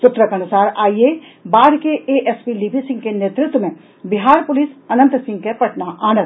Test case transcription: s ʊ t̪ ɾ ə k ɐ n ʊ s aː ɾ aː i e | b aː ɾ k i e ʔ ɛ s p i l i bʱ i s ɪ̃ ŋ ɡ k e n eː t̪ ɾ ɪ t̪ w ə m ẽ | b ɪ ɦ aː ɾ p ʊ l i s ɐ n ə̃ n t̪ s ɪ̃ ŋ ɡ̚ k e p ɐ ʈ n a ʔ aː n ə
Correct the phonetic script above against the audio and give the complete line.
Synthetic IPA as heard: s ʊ t̪ ɾ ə k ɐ n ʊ s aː ɾ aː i e | b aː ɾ k e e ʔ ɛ s p i l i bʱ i s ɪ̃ ŋ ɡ k e n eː t̪ ɾ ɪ t̪ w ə m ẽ | b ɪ ɦ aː ɾ p ʊ l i s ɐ n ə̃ n t̪ s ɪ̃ ŋ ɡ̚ k e p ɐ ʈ n a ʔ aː n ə